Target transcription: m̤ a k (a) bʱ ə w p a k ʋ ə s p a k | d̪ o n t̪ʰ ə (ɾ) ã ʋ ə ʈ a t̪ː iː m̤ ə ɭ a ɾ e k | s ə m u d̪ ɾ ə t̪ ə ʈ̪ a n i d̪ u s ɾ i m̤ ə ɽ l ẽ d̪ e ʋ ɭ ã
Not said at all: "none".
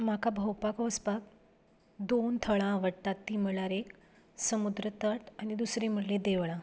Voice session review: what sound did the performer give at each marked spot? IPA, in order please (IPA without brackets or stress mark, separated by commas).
a, ɭ